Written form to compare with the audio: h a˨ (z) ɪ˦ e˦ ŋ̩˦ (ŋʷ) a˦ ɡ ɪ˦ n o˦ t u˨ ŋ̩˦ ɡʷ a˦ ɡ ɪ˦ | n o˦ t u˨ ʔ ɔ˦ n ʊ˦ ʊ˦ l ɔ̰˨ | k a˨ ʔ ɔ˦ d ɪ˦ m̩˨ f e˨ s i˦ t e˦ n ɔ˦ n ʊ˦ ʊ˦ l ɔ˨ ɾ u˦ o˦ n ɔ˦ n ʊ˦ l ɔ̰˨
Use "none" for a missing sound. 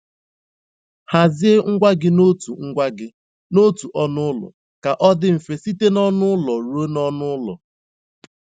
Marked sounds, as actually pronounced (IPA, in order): z, ɡʷ

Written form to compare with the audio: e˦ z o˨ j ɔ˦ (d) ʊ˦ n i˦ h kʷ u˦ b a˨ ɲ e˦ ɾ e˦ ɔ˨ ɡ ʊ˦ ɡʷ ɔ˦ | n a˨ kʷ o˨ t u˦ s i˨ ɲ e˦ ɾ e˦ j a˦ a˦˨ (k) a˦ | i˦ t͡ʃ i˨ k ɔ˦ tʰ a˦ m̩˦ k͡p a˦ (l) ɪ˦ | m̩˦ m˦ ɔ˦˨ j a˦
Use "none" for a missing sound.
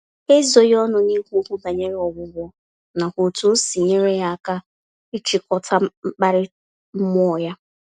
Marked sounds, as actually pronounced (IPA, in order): n, k, ɾ

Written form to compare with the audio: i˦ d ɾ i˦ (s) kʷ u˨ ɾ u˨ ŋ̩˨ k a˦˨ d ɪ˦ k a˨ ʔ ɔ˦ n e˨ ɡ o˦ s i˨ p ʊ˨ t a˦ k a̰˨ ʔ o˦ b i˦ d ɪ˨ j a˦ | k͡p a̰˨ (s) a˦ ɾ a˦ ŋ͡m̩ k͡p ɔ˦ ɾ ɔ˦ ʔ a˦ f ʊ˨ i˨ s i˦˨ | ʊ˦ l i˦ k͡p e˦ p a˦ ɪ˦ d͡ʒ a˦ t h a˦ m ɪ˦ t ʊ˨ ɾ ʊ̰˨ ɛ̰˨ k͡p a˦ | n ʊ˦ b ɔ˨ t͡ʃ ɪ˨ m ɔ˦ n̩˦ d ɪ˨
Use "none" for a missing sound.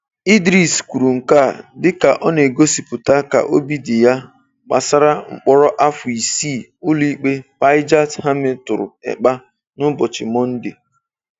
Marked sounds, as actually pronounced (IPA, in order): s, s

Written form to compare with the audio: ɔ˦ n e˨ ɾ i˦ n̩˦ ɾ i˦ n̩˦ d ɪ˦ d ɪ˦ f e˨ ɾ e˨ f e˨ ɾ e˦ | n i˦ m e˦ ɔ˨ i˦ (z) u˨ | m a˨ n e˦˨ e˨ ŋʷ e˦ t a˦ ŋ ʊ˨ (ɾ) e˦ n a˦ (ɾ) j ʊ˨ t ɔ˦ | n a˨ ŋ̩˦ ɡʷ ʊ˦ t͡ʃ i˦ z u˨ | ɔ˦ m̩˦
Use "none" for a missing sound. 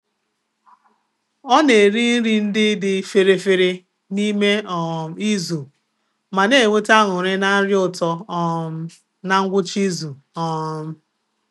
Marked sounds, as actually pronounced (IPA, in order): z, ɾ, ɾ

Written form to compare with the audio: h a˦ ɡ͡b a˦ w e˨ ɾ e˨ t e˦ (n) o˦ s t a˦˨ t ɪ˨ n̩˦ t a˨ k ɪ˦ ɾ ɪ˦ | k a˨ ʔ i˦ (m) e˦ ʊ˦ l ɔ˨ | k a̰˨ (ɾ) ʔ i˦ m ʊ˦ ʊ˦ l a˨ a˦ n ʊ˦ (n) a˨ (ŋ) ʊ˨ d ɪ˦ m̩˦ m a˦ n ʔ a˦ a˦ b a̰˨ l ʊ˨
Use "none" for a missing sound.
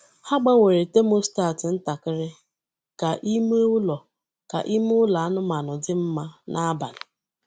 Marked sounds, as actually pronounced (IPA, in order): m, m, none, m, n

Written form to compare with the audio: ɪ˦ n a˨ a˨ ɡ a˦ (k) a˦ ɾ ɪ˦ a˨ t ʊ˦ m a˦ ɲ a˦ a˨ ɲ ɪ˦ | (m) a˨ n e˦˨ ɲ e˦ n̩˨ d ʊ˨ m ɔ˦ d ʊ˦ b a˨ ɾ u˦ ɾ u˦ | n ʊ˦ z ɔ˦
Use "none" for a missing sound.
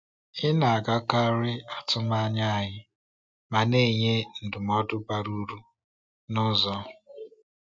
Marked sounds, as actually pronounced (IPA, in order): k, m

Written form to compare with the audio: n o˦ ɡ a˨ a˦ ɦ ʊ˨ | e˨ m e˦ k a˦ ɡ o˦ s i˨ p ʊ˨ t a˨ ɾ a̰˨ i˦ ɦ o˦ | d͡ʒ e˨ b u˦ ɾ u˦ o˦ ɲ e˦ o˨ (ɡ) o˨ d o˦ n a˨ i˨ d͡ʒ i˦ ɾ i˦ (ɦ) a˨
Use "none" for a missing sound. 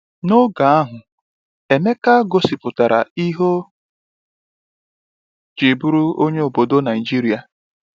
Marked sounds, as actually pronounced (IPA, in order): b, none

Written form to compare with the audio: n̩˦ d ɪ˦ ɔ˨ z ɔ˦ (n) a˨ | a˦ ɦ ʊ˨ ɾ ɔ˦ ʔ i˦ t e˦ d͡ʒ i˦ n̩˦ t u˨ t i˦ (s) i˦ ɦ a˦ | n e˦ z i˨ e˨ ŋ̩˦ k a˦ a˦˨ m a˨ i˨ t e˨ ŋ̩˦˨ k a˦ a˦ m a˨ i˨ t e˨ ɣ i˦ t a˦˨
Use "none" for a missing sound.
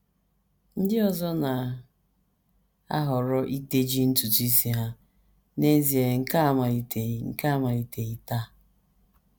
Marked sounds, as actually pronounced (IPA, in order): n, s

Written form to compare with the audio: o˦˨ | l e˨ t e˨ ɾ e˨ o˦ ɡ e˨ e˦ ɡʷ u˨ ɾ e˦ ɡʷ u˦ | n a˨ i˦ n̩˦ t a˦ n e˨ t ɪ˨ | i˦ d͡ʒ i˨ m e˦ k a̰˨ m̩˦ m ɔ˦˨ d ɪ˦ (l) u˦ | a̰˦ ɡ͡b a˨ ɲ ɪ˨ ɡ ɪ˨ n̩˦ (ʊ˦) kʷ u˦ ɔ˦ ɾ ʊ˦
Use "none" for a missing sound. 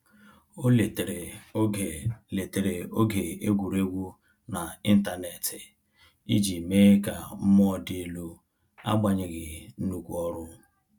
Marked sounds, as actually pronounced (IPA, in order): l, u˦

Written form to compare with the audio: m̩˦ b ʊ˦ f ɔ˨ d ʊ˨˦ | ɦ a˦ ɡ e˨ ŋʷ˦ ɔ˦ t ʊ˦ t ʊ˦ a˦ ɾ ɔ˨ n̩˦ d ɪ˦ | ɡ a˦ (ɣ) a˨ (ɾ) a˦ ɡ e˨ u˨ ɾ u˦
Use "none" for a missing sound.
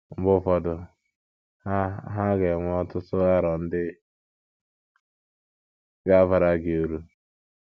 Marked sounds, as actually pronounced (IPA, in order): v, ɾ

